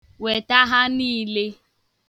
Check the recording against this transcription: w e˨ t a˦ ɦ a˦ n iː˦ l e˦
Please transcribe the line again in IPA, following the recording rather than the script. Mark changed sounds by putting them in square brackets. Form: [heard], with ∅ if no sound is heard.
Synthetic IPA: w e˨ t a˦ ɦ a˦ n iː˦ l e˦